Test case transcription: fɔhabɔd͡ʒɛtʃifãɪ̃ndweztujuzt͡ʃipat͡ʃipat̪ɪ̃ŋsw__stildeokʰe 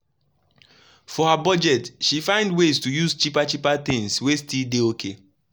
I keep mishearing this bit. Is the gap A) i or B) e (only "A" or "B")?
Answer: B